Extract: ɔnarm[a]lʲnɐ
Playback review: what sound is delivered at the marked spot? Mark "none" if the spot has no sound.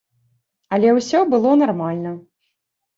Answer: a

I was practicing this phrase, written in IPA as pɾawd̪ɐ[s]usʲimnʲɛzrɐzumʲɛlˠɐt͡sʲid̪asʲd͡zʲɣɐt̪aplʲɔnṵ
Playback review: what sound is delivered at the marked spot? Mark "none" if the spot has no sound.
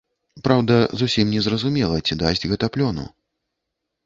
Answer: z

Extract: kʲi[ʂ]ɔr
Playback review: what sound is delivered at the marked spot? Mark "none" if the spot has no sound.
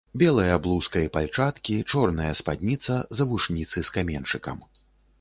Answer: t͡ʂ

